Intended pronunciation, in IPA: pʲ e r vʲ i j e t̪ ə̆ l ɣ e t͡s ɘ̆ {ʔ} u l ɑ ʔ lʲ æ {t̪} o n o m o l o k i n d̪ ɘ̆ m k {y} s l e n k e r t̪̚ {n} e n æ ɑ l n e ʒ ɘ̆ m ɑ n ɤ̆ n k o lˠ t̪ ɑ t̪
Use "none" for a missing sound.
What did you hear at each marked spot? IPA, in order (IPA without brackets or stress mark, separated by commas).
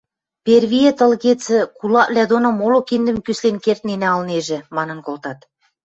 k, d̪, y, n